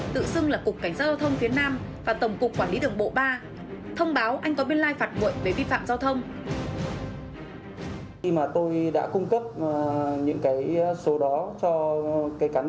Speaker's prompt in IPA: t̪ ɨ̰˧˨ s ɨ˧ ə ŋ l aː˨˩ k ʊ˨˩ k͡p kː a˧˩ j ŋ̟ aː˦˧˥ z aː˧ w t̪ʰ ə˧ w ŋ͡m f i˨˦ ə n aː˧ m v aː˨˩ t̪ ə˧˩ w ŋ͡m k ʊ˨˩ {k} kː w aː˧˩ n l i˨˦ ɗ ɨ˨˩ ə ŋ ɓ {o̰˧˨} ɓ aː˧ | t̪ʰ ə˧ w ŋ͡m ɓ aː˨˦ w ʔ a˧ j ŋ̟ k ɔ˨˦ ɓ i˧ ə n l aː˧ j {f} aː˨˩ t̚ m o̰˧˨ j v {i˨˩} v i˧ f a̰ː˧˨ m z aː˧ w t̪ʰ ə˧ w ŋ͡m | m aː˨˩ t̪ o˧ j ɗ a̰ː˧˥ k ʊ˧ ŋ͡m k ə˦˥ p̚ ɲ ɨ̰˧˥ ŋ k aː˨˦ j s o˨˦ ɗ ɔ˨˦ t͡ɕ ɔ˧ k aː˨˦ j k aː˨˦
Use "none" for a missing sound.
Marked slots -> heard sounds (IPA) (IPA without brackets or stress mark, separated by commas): k͡p, o̰˧˨, f, e˨˩